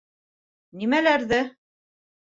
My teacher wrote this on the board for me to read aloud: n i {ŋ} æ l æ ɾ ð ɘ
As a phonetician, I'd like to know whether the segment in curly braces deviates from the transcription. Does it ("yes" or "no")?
yes